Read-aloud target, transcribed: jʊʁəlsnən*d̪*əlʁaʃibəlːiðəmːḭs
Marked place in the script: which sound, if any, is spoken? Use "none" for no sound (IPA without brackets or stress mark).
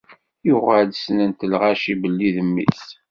t̪